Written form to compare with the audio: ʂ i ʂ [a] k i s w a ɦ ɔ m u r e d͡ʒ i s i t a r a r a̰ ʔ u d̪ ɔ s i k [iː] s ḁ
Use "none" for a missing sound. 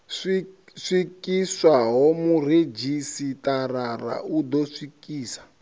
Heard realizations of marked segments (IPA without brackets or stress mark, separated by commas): i, iː